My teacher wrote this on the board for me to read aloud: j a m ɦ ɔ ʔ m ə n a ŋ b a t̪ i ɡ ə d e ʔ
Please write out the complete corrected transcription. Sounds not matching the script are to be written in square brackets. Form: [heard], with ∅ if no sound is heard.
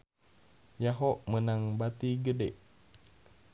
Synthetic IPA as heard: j a [∅] ɦ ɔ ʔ m ə n a ŋ b a t̪ i ɡ ə d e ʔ